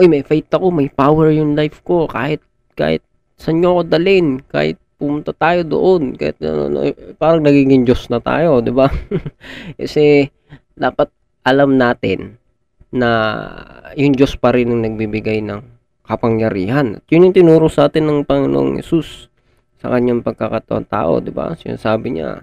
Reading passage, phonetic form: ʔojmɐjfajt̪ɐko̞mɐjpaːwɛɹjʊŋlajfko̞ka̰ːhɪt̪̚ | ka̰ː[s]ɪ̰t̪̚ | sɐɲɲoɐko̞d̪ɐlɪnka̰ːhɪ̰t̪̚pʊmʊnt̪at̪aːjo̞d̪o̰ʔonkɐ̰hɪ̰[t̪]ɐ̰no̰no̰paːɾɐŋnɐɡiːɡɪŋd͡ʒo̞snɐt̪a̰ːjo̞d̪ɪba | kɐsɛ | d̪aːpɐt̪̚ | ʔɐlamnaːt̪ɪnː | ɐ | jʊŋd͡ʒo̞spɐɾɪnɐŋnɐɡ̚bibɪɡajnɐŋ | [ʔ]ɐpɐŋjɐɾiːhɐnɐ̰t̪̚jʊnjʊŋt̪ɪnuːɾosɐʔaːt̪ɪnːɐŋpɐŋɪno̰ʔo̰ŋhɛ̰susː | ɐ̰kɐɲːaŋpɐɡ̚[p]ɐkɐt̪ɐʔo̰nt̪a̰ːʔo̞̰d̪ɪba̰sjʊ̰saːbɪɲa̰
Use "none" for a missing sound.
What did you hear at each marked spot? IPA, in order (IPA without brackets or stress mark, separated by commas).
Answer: h, t̪, k, k